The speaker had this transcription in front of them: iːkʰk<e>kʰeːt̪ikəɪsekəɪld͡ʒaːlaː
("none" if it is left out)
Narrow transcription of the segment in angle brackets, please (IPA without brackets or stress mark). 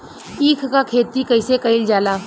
a